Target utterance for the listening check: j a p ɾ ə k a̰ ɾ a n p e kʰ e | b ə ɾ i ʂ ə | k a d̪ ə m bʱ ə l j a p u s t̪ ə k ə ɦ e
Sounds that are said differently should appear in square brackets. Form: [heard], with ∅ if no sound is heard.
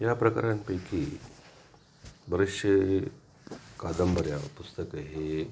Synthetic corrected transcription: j a p ɾ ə k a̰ ɾ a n p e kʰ [i] | b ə ɾ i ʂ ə | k a d̪ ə m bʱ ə [ɾ] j a p u s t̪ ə k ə ɦ e